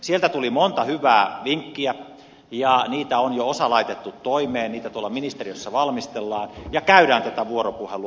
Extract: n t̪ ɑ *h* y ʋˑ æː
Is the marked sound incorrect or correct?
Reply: correct